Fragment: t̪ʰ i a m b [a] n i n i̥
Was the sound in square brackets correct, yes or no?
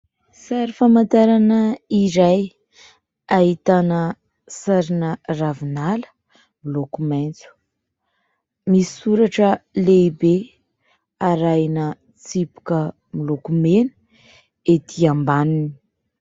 yes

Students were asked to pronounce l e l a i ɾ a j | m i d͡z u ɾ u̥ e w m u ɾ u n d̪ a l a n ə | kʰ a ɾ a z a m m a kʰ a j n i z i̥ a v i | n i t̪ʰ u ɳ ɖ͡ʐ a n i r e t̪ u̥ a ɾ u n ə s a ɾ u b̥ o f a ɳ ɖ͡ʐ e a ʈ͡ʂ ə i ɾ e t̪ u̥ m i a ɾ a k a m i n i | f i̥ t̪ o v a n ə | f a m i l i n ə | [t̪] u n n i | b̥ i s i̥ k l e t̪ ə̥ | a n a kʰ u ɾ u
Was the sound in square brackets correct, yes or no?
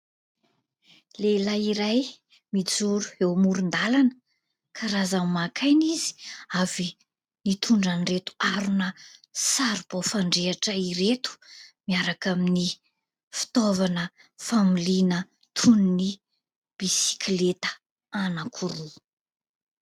no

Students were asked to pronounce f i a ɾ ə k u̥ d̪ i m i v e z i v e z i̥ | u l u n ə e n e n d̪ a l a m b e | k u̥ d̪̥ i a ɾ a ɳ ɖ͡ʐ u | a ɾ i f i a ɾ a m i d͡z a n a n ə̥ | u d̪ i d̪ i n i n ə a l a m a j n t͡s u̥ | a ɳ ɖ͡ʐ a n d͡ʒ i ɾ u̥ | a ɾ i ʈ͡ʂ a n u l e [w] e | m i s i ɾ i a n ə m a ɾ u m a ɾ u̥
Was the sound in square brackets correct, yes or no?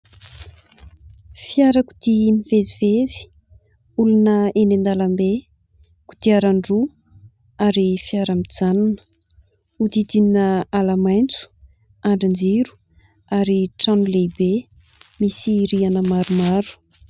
no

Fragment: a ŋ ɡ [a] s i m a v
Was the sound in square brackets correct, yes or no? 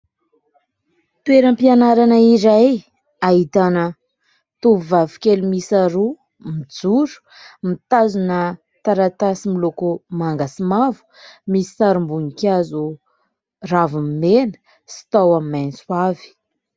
yes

